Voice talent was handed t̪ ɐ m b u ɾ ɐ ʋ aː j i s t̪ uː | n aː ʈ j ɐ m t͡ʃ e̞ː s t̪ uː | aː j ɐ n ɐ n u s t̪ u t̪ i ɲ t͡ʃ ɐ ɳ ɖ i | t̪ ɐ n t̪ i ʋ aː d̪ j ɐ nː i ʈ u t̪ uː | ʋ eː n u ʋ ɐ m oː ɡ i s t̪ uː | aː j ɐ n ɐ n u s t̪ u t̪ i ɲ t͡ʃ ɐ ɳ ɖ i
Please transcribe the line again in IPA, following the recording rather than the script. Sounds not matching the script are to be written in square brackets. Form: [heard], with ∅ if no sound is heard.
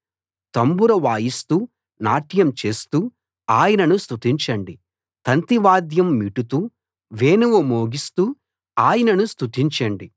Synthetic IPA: t̪ ɐ m b u ɾ ɐ ʋ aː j i s t̪ uː | n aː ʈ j ɐ m t͡ʃ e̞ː s t̪ uː | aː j ɐ n ɐ n u s t̪ u t̪ i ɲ t͡ʃ ɐ ɳ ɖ i | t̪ ɐ n t̪ i ʋ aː d̪ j ɐ [mː] i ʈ u t̪ uː | ʋ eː n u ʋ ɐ m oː ɡ i s t̪ uː | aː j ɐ n ɐ n u s t̪ u t̪ i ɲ t͡ʃ ɐ ɳ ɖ i